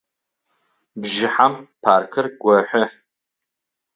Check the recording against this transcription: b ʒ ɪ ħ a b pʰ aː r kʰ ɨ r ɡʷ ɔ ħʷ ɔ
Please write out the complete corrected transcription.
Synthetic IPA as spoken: b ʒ ɪ ħ a m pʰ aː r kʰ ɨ r ɡʷ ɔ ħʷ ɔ